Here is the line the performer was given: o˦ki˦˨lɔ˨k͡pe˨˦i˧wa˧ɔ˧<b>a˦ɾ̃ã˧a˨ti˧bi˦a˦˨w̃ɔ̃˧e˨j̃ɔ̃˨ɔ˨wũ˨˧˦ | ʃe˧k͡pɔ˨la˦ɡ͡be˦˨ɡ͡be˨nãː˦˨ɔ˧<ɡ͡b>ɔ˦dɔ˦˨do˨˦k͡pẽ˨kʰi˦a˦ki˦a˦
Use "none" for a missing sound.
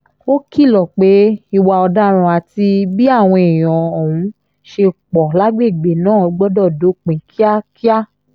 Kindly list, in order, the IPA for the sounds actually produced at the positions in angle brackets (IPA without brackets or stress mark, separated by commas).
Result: d, ɡ͡b